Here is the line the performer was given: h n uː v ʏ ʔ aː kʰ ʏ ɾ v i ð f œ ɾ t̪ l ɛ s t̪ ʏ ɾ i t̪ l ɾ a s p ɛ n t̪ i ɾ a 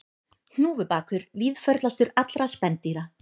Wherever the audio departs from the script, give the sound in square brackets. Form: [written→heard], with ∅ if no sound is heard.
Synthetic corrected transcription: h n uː v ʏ [ʔ→p] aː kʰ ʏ ɾ v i ð f œ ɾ t̪ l [ɛ→a] s t̪ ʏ ɾ [i→a] t̪ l ɾ a s p ɛ n t̪ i ɾ a